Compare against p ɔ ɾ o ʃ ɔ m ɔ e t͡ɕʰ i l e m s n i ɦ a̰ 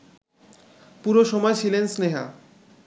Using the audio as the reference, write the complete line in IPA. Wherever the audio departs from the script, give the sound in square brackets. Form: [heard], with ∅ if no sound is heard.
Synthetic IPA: p [u] ɾ o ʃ ɔ m ɔ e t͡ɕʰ i l e [n] s n [e] ɦ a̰